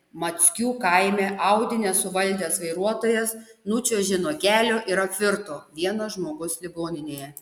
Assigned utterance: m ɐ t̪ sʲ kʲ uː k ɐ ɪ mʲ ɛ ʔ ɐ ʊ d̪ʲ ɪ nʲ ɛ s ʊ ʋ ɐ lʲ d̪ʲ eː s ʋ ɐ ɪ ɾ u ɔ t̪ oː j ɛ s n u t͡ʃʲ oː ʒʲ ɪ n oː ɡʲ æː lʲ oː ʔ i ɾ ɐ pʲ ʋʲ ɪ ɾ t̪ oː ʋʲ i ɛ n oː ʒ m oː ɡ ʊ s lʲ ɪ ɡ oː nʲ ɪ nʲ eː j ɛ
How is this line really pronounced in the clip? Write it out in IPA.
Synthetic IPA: m ɐ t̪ sʲ kʲ uː k ɐ ɪ mʲ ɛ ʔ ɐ ʊ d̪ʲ ɪ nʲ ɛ s ʊ ʋ ɐ lʲ d̪ʲ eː s ʋ ɐ ɪ ɾ u ɔ t̪ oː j ɛ s n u t͡ʃʲ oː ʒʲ ɪ n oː ɡʲ æː lʲ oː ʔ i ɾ ɐ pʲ ʋʲ ɪ ɾ t̪ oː ʋʲ i ɛ n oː ʒ m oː ɡ ʊ s lʲ ɪ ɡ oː nʲ ɪ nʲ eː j ɛ